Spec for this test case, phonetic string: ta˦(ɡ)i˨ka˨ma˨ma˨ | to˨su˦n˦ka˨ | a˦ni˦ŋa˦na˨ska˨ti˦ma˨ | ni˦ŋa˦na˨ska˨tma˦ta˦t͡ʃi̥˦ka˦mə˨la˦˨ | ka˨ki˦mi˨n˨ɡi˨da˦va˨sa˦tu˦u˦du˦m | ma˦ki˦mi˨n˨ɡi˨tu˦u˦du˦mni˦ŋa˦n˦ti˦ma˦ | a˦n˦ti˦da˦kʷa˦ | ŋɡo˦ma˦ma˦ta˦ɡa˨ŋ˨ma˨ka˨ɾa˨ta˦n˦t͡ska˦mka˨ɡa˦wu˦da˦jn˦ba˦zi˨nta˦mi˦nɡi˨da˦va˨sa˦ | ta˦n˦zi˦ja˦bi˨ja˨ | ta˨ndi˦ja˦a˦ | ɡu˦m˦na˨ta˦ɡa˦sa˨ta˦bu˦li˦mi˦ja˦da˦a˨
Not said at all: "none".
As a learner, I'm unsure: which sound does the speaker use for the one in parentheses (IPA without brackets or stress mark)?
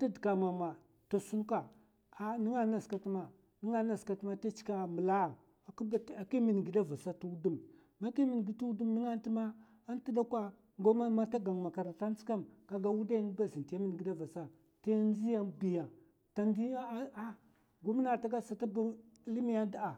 d